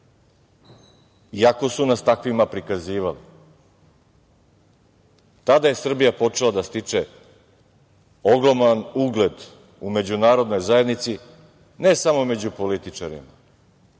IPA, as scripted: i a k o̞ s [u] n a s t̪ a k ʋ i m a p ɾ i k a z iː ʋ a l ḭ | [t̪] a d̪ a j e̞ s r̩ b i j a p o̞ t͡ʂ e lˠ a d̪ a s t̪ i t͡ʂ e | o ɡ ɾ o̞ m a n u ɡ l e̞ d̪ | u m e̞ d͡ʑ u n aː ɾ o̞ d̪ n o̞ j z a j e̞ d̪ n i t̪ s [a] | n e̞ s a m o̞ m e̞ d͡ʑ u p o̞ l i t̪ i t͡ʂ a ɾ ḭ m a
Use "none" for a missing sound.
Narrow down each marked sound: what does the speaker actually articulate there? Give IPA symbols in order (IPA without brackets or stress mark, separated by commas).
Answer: u, t̪, i